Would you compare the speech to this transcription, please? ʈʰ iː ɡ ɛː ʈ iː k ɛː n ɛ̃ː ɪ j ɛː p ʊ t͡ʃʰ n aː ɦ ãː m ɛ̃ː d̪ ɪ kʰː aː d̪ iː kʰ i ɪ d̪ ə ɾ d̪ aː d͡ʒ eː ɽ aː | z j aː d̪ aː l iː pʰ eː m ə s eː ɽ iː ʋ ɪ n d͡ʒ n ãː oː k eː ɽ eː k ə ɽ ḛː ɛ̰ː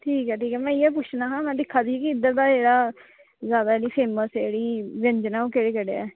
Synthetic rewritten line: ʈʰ iː k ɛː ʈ iː k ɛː m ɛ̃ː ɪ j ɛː p ʊ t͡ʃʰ n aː ɦ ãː m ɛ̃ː d̪ ɪ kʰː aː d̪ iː k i ɪ d̪ ə ɾ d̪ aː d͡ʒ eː ɽ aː | z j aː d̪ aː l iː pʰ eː m ə s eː ɽ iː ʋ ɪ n d͡ʒ n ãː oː k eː ɽ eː k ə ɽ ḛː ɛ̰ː